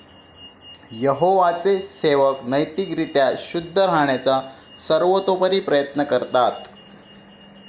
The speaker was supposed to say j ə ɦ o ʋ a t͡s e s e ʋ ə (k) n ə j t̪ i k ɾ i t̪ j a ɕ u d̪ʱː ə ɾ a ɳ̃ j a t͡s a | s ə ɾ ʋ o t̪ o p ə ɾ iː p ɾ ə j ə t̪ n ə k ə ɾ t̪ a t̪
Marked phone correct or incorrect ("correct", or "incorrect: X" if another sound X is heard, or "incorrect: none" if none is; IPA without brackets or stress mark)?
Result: correct